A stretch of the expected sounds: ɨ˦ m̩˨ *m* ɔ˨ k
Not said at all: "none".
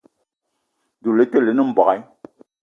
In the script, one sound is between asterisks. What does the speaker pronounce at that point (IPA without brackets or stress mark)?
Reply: b